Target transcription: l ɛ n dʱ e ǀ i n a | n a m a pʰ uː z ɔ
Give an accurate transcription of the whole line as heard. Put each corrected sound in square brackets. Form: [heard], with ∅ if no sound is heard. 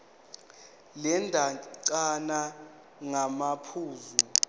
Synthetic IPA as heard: l ɛ n dʱ [a] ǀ [a] n a | [ŋ] a m a pʰ uː z [u]

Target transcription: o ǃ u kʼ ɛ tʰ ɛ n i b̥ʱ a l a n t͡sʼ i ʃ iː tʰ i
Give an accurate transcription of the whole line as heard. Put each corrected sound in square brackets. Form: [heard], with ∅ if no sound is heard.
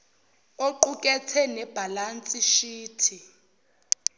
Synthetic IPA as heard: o ǃ u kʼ ɛ tʰ ɛ n [ɛ] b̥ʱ a l a n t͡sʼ i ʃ iː tʰ i

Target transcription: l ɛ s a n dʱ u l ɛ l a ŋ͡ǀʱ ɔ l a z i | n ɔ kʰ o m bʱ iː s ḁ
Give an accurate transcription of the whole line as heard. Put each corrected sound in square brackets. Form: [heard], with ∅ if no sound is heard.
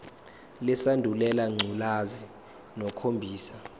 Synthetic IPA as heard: l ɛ s a n dʱ u l ɛ l a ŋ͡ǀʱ [u] l a z i | n ɔ kʰ o m bʱ iː s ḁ

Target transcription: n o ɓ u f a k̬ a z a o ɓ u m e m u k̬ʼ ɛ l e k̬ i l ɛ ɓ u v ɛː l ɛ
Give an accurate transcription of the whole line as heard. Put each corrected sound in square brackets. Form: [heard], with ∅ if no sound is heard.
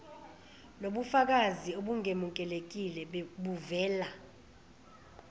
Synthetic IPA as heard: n o ɓ u f a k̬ a z [i] o ɓ u [ŋ] e m u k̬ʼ ɛ l e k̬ i l ɛ ɓ u v ɛː l [a]

